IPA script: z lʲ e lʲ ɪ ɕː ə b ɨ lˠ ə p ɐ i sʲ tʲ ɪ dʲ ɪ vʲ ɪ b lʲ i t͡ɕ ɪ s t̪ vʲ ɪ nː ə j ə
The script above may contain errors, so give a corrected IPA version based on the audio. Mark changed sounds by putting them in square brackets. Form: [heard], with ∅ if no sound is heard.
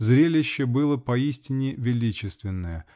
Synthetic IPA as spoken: z [ɾʲ] e lʲ ɪ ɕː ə b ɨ lˠ ə p ɐ i sʲ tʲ ɪ [nʲ] ɪ vʲ ɪ [∅] lʲ i t͡ɕ ɪ s t̪ vʲ ɪ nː ə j ə